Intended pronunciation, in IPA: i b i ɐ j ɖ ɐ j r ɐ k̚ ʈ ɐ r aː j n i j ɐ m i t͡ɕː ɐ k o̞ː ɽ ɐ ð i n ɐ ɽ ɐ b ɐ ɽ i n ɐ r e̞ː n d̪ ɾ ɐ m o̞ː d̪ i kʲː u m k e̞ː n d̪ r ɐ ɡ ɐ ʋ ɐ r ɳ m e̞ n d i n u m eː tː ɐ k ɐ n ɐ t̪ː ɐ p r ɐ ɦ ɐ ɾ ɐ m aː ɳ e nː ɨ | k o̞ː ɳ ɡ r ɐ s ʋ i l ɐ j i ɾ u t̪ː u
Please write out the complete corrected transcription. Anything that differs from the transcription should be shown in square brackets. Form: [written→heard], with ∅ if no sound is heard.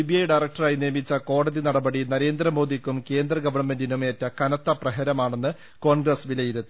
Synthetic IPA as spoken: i b i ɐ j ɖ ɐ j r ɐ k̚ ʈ ɐ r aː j n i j ɐ m i t͡ɕː ɐ k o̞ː ɽ ɐ ð i n ɐ ɽ ɐ b ɐ ɽ i n ɐ [r→ɾ] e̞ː n d̪ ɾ ɐ m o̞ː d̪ i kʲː u m k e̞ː n d̪ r ɐ ɡ ɐ ʋ ɐ r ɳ m e̞ n d i n u m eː tː ɐ k ɐ n ɐ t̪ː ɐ p r ɐ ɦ ɐ ɾ ɐ m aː ɳ e nː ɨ | k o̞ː ɳ ɡ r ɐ s ʋ i l ɐ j i ɾ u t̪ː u